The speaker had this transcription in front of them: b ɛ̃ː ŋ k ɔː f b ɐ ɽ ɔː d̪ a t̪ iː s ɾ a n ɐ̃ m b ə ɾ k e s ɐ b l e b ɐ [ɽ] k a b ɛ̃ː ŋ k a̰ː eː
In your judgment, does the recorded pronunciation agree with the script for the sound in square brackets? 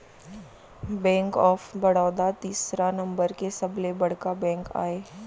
yes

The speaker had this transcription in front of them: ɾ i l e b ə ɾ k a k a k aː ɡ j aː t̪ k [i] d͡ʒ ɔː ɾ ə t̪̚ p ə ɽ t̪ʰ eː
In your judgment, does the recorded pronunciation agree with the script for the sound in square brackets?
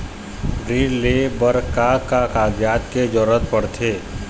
no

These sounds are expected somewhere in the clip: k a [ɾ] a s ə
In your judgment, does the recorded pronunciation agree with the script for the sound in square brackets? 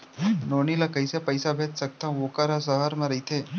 yes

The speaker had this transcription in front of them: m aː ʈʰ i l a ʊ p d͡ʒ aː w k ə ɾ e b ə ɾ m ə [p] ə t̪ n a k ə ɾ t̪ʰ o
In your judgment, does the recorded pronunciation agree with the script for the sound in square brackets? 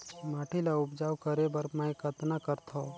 no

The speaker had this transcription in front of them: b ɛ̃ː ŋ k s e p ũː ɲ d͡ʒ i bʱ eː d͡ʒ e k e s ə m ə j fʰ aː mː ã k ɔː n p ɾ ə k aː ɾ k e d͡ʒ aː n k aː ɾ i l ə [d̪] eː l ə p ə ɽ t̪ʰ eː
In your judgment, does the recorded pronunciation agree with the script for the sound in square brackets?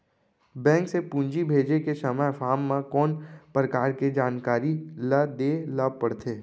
yes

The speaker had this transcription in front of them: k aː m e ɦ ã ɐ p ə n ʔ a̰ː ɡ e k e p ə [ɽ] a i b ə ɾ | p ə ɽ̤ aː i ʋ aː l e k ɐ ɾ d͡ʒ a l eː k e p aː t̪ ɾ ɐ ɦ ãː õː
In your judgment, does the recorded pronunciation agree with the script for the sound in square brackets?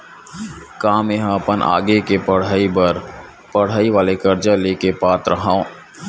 yes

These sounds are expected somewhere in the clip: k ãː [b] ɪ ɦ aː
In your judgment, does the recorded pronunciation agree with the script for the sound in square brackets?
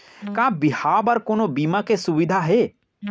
yes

